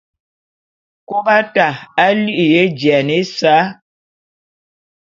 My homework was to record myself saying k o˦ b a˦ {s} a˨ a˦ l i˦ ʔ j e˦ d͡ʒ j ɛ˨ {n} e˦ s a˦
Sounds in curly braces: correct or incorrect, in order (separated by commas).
incorrect, correct